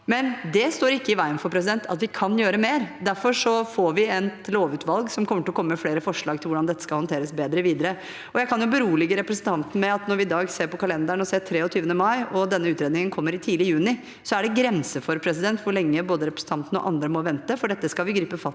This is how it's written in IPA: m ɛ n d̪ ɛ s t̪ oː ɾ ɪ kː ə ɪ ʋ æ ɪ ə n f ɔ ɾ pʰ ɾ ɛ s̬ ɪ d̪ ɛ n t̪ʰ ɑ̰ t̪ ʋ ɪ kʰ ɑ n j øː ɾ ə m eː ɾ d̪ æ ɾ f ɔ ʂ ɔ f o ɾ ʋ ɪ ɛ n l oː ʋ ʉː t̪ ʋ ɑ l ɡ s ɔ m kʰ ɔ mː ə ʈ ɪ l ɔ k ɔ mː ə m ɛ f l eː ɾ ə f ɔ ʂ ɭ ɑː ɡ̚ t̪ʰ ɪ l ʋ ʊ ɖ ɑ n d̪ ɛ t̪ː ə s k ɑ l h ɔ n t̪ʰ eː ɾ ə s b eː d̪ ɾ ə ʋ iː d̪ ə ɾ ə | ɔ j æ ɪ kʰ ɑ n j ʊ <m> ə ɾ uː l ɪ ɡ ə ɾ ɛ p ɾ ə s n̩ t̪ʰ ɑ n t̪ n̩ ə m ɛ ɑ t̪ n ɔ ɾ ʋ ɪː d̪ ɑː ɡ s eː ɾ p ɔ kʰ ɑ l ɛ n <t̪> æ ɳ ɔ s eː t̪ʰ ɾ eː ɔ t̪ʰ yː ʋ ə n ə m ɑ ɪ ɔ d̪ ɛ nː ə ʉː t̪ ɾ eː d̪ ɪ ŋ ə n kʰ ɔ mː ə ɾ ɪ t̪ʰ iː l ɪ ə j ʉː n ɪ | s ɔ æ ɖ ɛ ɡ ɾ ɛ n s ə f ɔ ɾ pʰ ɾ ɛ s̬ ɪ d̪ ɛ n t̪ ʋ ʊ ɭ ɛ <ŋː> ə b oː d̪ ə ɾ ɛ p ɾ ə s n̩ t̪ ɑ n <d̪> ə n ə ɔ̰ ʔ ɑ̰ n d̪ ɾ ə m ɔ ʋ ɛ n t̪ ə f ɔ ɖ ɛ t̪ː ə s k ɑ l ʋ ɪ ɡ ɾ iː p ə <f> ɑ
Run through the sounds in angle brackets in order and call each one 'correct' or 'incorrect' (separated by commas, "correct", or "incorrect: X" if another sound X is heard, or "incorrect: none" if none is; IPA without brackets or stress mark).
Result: incorrect: b, incorrect: d̪, correct, incorrect: t̪, correct